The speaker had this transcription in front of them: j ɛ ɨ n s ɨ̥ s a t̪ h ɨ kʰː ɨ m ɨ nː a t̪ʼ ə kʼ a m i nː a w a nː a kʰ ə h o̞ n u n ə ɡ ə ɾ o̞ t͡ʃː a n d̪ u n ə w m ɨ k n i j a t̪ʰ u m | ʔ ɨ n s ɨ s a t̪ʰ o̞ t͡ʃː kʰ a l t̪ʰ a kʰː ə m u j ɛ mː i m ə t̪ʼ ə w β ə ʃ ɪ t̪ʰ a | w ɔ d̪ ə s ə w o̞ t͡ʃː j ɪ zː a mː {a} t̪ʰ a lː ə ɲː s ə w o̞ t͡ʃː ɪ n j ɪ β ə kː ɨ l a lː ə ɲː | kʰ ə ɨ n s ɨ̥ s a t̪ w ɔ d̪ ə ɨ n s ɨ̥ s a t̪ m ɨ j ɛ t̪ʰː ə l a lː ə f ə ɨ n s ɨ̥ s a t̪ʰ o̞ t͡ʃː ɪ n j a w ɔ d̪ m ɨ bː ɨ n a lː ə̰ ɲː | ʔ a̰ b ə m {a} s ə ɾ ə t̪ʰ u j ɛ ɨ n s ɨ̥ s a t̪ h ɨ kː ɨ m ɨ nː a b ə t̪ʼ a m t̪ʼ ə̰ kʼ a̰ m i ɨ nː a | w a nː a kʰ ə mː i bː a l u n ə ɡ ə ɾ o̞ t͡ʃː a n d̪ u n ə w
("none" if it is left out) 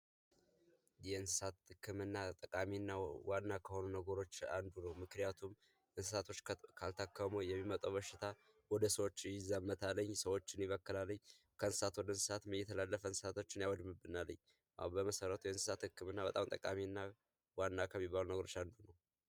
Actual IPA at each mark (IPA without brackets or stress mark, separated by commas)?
ə, ə